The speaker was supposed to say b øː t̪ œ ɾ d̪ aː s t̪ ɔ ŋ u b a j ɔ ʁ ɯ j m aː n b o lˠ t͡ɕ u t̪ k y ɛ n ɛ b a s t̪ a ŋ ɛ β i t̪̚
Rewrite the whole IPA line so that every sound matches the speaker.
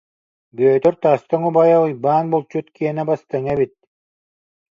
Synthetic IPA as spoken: b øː t̪ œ ɾ t̪ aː s t̪ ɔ ŋ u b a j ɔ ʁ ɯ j b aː n b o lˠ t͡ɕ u t̪ k i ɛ n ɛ b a s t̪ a ŋ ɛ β i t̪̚